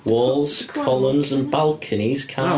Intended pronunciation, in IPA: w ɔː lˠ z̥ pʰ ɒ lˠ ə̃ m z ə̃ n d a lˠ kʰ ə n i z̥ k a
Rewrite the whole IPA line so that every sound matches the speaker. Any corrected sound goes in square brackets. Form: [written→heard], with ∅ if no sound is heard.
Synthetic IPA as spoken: w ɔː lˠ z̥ [pʰ→kʰ] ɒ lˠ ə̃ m z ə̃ n [d→b] a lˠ kʰ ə n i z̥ [k→kʰ] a